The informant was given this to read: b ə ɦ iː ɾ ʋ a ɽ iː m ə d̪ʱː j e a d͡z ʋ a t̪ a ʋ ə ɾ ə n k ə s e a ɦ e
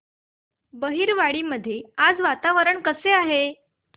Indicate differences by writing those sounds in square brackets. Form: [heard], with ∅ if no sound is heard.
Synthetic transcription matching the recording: b ə ɦ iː ɾ ʋ a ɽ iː m ə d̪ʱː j e a d͡z ʋ a t̪ a ʋ ə ɾ ə [ɳ] k ə s e a ɦ e